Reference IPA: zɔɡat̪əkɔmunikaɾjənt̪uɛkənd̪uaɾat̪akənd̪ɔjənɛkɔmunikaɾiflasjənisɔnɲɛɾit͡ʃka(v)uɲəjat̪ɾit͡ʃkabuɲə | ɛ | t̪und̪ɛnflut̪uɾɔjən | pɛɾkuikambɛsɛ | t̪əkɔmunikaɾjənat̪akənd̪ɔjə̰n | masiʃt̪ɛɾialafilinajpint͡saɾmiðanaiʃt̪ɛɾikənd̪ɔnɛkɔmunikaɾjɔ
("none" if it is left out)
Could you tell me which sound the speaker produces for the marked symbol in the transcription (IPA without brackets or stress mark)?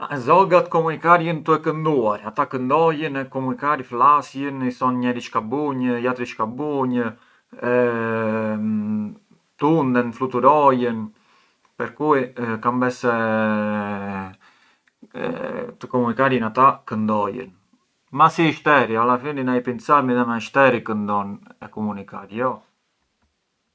b